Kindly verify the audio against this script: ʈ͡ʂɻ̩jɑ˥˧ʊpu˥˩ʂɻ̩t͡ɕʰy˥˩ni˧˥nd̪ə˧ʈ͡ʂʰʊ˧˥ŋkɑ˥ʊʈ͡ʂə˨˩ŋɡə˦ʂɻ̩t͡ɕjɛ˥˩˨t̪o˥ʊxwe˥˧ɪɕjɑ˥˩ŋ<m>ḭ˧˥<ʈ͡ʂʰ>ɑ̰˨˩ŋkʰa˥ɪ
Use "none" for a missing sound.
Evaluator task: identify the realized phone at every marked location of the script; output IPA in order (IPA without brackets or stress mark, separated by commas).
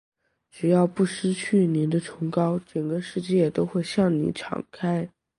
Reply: n, ʈ͡ʂʰ